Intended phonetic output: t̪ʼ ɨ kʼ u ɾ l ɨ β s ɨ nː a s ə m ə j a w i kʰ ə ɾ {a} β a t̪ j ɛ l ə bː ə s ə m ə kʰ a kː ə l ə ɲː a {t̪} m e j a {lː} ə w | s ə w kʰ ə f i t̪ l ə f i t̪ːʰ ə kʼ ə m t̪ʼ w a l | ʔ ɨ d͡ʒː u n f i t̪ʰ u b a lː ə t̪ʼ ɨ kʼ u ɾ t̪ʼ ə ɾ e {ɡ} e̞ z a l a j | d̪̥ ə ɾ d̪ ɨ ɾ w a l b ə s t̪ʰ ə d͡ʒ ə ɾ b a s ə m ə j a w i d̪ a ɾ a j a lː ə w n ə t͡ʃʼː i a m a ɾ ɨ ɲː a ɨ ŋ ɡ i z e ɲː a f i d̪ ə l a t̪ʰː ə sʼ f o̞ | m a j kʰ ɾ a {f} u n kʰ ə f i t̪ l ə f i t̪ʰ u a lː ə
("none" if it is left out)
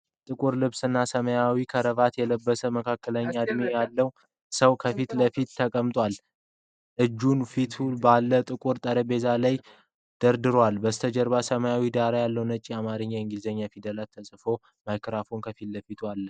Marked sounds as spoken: ə, d̪, lː, b, f

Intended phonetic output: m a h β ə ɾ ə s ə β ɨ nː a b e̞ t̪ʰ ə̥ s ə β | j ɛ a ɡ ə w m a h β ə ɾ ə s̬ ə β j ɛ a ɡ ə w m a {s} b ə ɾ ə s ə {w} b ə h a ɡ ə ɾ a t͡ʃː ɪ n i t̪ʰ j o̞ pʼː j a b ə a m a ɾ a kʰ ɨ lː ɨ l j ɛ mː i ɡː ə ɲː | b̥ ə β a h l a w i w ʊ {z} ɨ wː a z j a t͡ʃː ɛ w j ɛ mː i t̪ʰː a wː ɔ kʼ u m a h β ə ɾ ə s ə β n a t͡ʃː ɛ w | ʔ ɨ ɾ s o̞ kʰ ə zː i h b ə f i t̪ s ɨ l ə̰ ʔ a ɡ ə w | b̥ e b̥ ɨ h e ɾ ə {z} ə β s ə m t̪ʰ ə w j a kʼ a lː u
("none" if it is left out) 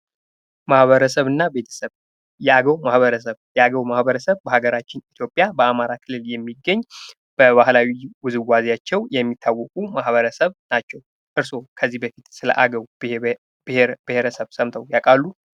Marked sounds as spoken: h, β, z, s

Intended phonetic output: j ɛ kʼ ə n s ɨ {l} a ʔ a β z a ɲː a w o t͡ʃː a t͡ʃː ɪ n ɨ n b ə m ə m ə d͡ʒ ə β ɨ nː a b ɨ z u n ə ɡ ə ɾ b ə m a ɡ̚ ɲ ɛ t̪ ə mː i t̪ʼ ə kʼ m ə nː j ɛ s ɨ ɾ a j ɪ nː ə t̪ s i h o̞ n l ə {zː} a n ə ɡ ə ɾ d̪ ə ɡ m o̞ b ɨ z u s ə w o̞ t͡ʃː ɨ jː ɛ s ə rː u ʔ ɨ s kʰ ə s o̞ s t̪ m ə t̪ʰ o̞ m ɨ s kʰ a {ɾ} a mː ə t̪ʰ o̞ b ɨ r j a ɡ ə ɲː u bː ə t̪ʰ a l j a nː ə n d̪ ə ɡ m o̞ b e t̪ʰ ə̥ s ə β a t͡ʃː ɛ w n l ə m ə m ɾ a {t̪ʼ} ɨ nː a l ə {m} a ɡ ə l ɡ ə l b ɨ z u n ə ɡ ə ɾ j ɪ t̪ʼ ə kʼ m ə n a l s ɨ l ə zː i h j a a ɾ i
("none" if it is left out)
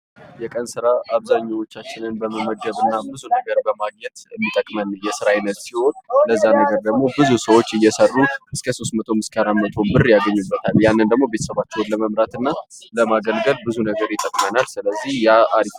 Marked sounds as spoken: ɾ, zː, ɾ, t̪, m

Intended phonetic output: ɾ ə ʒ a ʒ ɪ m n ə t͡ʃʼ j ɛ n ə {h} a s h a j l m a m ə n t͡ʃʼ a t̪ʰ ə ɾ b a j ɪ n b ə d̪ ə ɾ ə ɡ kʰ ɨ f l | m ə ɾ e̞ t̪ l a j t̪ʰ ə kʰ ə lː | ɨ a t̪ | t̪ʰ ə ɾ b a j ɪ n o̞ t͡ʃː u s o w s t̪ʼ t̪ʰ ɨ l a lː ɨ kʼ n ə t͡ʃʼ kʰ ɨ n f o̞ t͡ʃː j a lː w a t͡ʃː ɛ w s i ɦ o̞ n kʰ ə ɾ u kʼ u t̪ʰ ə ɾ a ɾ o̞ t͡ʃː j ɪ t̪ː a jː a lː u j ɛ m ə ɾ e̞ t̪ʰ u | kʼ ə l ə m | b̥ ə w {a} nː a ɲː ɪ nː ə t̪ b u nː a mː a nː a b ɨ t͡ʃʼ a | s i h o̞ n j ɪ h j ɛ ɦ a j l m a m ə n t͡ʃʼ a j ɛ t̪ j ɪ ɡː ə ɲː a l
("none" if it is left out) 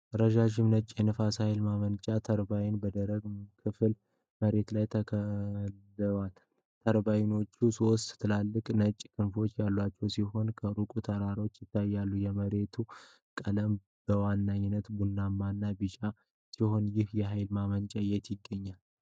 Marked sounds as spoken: f, a

